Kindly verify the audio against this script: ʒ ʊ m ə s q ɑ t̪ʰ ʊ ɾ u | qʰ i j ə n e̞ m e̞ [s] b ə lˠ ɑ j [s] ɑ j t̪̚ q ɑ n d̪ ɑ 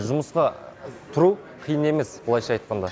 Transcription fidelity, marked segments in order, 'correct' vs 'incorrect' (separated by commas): correct, incorrect